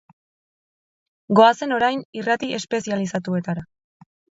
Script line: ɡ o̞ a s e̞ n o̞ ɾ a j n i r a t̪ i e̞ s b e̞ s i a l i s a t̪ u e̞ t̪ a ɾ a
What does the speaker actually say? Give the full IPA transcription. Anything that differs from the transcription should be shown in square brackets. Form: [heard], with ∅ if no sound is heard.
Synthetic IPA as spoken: ɡ o̞ a s e̞ n o̞ ɾ a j n i r a t̪ i e̞ s [p] e̞ s i a l i s a t̪ u e̞ t̪ a ɾ a